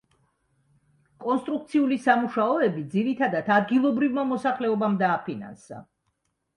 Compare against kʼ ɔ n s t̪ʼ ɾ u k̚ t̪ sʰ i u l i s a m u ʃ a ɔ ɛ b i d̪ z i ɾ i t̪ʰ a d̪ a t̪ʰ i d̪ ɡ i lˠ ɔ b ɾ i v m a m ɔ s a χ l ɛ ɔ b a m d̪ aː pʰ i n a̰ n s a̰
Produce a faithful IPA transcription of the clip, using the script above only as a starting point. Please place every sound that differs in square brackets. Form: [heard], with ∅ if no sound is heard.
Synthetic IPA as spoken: kʼ ɔ n s t̪ʼ ɾ u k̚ t̪ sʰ i u l i s a m u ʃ a ɔ ɛ b i d̪ z i ɾ i t̪ʰ a d̪ a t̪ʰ [a] d̪ ɡ i lˠ ɔ b ɾ i v m a m ɔ s a χ l ɛ ɔ b a m d̪ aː pʰ i n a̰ n s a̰

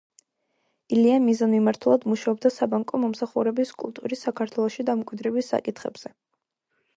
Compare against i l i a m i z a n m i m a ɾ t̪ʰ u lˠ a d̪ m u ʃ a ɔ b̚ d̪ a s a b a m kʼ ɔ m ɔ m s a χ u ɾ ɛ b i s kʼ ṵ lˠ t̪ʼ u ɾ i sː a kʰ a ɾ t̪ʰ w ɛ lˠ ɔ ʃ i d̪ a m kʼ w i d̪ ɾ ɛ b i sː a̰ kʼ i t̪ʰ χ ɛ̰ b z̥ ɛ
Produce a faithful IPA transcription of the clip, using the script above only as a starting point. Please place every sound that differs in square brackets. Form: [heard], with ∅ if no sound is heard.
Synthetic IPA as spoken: i l i a m i z a n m i m a ɾ t̪ʰ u lˠ a d̪ m u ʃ a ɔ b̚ d̪ a s a b a [ŋ] kʼ ɔ m ɔ m s a χ u ɾ ɛ b i s kʼ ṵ lˠ t̪ʼ u ɾ i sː a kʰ a ɾ t̪ʰ w ɛ lˠ ɔ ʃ i d̪ a m kʼ w i d̪ ɾ ɛ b i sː a̰ kʼ i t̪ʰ χ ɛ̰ b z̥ ɛ

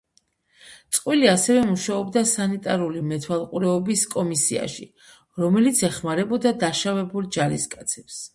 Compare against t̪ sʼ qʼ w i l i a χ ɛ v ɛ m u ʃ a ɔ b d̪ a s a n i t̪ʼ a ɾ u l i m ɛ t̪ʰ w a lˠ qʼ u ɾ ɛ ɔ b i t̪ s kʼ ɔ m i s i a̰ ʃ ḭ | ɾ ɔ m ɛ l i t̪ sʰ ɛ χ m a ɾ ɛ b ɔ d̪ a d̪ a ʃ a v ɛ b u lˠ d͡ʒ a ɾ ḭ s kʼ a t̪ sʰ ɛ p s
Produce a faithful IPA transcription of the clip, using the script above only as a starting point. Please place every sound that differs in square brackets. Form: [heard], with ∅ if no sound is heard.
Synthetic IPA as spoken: t̪ sʼ qʼ w i l i a [s] ɛ v ɛ m u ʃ a ɔ b d̪ a s a n i t̪ʼ a ɾ u l i m ɛ t̪ʰ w a lˠ qʼ u ɾ ɛ ɔ b i [∅] s kʼ ɔ m i s i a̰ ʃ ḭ | ɾ ɔ m ɛ l i t̪ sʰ ɛ χ m a ɾ ɛ b ɔ d̪ a d̪ a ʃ a v ɛ b u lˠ d͡ʒ a ɾ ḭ s kʼ a t̪ sʰ ɛ p s

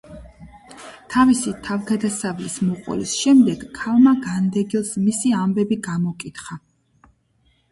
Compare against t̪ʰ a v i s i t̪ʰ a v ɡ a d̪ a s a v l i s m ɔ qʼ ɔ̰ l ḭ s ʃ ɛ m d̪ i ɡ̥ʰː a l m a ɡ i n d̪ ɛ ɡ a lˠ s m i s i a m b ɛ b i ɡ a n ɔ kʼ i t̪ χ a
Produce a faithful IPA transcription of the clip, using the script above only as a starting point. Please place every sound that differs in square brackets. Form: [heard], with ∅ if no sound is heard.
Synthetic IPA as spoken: t̪ʰ a v i s i t̪ʰ a v ɡ a d̪ a s a v l i s m ɔ qʼ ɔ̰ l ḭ s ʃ ɛ m d̪ [ɛ] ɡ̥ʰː a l m a ɡ [a] n d̪ ɛ ɡ [i] lˠ s m i s i a m b ɛ b i ɡ a [m] ɔ kʼ i t̪ χ a

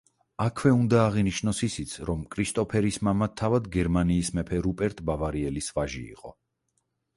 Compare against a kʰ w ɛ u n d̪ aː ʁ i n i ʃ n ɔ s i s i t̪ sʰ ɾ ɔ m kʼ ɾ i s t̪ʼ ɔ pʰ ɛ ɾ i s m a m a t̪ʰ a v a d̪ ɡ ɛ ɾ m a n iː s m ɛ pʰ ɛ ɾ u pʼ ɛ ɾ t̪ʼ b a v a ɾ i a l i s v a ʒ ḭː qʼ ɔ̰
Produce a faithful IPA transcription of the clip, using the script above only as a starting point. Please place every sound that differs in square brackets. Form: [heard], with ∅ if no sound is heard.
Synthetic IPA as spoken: a kʰ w ɛ u n d̪ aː ʁ i n i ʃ n ɔ s i s i t̪ sʰ ɾ ɔ m kʼ ɾ i s t̪ʼ ɔ pʰ ɛ ɾ i s m a m a t̪ʰ a v a d̪ ɡ ɛ ɾ m a n iː s m ɛ pʰ ɛ ɾ u pʼ ɛ ɾ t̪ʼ b a v a ɾ i [ɛ] l i s v a ʒ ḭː qʼ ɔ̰

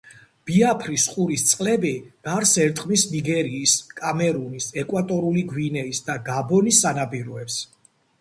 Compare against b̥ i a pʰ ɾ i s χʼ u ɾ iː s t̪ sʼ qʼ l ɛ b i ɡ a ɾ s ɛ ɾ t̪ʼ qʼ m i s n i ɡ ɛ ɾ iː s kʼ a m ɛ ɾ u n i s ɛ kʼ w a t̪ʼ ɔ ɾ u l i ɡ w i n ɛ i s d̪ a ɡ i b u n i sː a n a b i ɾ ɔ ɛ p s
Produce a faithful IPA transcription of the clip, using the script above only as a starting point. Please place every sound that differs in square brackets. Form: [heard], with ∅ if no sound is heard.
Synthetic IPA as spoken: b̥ i a pʰ ɾ i s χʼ u ɾ [i] s t̪ sʼ qʼ l ɛ b i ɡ a ɾ s ɛ ɾ t̪ʼ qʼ m i s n i ɡ ɛ ɾ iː s kʼ a m ɛ ɾ u n i s ɛ kʼ w a t̪ʼ ɔ ɾ u l i ɡ w i n ɛ i s d̪ a ɡ [a] b [ɔ] n i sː a n a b i ɾ ɔ ɛ p s

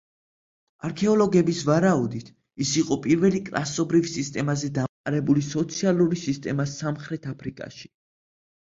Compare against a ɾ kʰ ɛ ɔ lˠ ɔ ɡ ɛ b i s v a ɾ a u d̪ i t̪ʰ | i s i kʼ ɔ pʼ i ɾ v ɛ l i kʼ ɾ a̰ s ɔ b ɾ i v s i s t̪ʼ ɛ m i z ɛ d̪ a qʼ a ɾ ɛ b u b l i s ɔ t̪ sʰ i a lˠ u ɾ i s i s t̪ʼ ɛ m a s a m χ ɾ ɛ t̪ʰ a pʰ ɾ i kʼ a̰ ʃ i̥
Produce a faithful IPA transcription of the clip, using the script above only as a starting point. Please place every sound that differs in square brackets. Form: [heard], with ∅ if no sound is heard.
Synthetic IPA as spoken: a ɾ kʰ ɛ ɔ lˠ ɔ ɡ ɛ b i s v a ɾ a u d̪ i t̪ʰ | i s i [qʼ] ɔ pʼ i ɾ v ɛ l i kʼ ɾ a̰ s ɔ b ɾ i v s i s t̪ʼ ɛ m [a] z ɛ d̪ a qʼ a ɾ ɛ b u [∅] l i s ɔ t̪ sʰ i a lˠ u ɾ i s i s t̪ʼ ɛ m a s a m χ ɾ ɛ t̪ʰ a pʰ ɾ i kʼ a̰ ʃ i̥

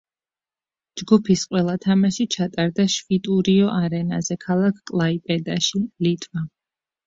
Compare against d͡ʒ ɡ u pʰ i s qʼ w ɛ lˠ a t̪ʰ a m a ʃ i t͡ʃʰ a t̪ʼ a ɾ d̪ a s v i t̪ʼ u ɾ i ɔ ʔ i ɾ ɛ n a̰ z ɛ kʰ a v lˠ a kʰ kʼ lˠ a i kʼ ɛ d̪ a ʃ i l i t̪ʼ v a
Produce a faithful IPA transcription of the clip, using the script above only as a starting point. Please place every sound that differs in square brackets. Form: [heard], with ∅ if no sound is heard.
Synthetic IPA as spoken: d͡ʒ ɡ u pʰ i s qʼ w ɛ lˠ a t̪ʰ a m a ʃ i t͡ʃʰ a t̪ʼ a ɾ d̪ a [ʃ] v i t̪ʼ u ɾ i ɔ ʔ [a] ɾ ɛ n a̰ z ɛ kʰ a [∅] lˠ a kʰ kʼ lˠ a i [pʼ] ɛ d̪ a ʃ i l i t̪ʼ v a

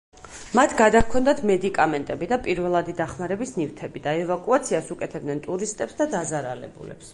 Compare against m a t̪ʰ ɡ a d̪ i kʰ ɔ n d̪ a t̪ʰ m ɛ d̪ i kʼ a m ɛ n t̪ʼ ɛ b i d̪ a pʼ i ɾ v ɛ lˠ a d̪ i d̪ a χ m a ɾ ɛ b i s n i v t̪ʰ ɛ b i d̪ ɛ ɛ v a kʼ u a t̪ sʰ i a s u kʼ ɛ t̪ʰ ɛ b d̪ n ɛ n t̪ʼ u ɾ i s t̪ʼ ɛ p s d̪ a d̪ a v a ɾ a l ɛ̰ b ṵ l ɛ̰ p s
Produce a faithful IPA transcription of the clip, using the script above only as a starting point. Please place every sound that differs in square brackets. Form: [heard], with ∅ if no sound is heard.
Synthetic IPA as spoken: m a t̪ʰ ɡ a d̪ [a] kʰ ɔ n d̪ a t̪ʰ m ɛ d̪ i kʼ a m ɛ n t̪ʼ ɛ b i d̪ a pʼ i ɾ v ɛ lˠ a d̪ i d̪ a χ m a ɾ ɛ b i s n i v t̪ʰ ɛ b i d̪ [a] ɛ v a kʼ u a t̪ sʰ i a s u kʼ ɛ t̪ʰ ɛ b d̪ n ɛ n t̪ʼ u ɾ i s t̪ʼ ɛ p s d̪ a d̪ a [z] a ɾ a l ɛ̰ b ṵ l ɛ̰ p s

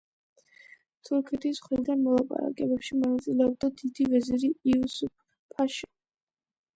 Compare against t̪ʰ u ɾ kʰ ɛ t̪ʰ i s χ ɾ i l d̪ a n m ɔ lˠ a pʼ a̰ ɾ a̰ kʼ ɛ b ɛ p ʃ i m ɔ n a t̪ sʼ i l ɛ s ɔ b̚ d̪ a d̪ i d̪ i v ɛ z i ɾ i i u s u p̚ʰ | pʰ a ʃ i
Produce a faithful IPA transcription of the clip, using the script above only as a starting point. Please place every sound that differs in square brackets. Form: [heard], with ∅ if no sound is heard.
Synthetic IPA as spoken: t̪ʰ u ɾ kʰ ɛ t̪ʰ i s χ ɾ i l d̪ a n m ɔ lˠ a pʼ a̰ ɾ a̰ kʼ ɛ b ɛ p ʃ i m ɔ n a t̪ sʼ i l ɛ [∅] ɔ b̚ d̪ a d̪ i d̪ i v ɛ z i ɾ i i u s u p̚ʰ | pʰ a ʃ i

